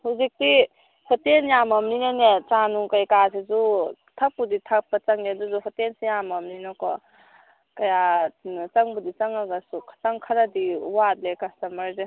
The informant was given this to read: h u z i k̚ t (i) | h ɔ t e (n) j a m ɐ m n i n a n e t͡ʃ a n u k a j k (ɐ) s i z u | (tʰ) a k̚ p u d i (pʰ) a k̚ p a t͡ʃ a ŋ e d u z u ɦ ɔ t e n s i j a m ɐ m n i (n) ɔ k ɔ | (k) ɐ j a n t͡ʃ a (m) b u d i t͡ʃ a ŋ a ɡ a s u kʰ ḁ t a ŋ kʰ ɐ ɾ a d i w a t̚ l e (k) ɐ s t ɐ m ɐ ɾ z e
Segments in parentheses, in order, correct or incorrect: correct, correct, incorrect, correct, incorrect, correct, correct, incorrect, correct

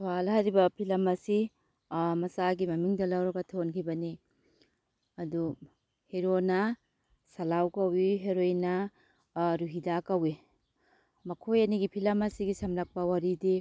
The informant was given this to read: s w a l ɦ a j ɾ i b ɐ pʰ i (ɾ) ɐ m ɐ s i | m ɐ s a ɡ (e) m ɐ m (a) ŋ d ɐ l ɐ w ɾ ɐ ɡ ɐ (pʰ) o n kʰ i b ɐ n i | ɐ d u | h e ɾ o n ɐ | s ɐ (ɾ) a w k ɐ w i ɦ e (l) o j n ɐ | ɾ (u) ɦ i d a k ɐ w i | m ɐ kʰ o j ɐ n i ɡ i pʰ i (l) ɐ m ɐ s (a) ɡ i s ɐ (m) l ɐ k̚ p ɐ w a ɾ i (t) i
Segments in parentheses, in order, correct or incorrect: incorrect, incorrect, incorrect, incorrect, incorrect, incorrect, correct, correct, incorrect, correct, incorrect

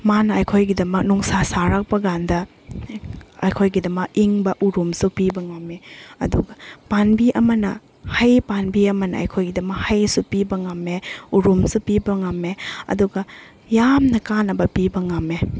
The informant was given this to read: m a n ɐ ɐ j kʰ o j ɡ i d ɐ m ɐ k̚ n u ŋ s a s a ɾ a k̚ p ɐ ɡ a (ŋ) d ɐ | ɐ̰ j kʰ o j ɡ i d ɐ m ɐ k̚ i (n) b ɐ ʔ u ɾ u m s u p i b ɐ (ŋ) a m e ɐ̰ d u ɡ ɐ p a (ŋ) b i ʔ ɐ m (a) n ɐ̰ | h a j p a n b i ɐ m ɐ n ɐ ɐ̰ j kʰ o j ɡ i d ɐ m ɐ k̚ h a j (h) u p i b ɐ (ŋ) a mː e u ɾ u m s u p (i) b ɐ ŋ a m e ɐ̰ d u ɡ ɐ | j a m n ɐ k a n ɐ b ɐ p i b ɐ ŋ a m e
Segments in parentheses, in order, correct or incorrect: incorrect, incorrect, correct, incorrect, incorrect, incorrect, correct, correct

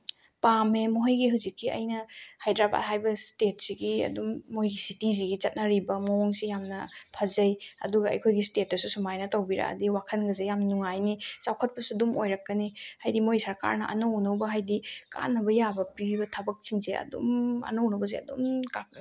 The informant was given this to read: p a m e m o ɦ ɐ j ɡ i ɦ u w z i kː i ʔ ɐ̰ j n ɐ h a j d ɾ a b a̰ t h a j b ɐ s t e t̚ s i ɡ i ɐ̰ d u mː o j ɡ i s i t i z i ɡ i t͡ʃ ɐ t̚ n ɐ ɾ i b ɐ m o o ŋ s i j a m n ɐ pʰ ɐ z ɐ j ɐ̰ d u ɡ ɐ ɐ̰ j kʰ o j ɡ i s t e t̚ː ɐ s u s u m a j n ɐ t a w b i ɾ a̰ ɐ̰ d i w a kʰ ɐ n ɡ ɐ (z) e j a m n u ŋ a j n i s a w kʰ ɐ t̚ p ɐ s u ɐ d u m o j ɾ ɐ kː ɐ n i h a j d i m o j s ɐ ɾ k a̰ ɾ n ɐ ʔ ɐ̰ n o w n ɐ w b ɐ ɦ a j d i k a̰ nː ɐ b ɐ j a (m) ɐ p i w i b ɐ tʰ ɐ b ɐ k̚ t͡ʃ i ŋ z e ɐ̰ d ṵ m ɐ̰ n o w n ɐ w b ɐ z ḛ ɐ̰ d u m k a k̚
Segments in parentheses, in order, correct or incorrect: correct, incorrect

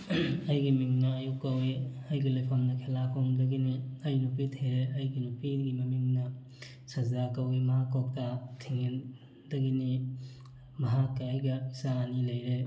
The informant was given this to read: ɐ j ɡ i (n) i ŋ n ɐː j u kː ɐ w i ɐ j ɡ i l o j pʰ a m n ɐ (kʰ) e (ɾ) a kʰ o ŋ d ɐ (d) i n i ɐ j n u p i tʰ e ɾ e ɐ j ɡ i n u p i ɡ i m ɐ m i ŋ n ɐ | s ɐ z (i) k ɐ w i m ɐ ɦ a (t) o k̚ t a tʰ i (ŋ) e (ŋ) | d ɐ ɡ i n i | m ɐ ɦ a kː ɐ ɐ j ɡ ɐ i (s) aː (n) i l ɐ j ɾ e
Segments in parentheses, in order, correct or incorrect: incorrect, correct, incorrect, incorrect, incorrect, incorrect, correct, incorrect, correct, correct

